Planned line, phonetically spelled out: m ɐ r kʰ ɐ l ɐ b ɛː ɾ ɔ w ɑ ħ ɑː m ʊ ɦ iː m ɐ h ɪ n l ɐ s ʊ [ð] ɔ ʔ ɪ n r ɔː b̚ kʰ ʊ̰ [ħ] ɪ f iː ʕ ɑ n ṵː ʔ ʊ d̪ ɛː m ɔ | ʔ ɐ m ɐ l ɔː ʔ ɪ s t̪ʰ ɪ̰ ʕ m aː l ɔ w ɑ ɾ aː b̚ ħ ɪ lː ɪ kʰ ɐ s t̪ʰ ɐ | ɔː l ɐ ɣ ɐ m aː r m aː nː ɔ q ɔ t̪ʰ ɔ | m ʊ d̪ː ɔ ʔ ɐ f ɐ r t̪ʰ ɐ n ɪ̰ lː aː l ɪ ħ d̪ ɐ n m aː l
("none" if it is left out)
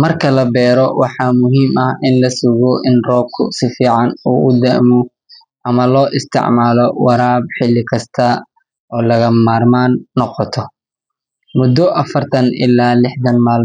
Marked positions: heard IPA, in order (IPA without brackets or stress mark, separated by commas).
ɣ, s